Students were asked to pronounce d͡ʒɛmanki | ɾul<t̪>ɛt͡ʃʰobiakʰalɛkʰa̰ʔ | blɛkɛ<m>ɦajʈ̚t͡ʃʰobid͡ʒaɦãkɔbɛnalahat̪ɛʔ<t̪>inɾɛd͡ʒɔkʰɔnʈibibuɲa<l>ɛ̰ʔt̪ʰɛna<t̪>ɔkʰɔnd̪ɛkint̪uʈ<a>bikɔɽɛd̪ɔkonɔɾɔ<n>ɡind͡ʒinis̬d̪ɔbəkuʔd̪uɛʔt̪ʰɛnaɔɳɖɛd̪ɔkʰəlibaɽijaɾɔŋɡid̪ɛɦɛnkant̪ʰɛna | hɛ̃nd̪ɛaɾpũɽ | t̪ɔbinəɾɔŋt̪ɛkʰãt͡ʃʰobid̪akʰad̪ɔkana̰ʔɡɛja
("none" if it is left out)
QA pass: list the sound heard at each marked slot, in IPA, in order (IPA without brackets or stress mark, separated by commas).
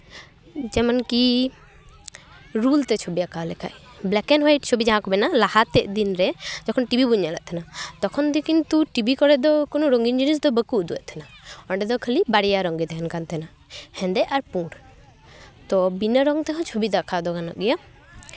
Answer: t̪, n, d̪, l, t̪, i, ŋ